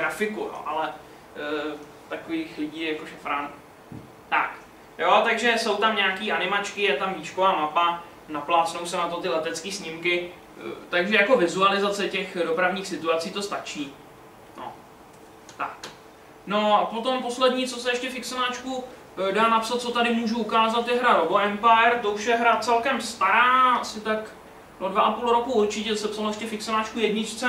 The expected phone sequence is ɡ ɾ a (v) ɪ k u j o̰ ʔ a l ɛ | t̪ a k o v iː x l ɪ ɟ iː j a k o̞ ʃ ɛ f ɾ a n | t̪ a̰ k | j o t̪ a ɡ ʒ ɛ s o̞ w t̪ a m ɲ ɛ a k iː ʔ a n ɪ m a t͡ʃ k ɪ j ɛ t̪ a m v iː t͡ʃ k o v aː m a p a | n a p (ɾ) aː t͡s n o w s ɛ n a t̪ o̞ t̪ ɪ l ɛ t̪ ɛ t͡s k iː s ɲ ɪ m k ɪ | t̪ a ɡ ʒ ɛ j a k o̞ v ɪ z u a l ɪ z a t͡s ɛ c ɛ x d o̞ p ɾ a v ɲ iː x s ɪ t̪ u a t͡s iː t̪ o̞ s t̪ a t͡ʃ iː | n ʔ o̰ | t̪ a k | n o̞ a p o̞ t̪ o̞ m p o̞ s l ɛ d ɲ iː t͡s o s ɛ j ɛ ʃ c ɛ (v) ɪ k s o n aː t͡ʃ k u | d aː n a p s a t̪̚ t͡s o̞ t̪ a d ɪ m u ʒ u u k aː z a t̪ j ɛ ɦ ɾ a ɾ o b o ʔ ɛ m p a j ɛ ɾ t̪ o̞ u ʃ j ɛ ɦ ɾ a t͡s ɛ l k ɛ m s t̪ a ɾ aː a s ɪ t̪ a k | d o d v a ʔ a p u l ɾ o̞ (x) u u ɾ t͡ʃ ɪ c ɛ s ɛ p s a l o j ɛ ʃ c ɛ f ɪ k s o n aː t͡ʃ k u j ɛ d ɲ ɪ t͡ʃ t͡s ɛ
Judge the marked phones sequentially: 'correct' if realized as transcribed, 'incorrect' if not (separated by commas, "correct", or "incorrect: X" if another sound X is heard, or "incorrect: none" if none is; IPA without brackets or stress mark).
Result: incorrect: f, incorrect: l, incorrect: f, incorrect: k